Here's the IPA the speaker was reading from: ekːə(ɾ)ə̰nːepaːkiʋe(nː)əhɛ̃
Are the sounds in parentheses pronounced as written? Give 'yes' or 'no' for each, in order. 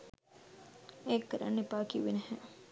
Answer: yes, no

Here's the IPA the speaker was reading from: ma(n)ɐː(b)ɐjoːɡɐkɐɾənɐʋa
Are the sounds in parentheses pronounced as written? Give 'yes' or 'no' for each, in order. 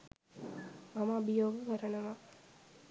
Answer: no, yes

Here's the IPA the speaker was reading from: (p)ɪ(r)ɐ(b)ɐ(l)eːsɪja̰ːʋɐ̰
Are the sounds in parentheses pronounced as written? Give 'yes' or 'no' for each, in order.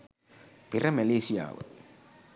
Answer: yes, yes, no, yes

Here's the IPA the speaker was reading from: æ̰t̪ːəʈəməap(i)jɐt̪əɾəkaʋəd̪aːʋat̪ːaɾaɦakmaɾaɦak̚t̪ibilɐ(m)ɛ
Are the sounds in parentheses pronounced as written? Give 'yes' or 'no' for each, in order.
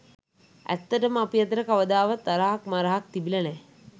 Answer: yes, no

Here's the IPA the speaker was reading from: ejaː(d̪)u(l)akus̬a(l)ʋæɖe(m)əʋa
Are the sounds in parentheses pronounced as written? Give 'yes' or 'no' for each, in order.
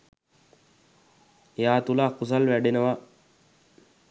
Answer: no, yes, yes, no

